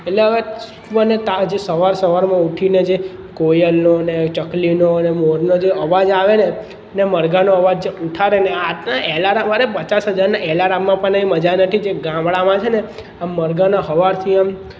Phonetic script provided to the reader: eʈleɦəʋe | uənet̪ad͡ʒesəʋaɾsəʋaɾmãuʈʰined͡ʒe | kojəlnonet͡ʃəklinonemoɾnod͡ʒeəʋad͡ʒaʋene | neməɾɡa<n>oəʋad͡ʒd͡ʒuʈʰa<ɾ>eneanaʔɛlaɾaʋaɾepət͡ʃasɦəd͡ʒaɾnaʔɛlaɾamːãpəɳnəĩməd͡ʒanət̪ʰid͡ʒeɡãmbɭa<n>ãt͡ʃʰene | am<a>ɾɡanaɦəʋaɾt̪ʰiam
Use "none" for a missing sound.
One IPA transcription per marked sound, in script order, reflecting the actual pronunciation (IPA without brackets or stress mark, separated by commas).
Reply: n, ɾ, m, ə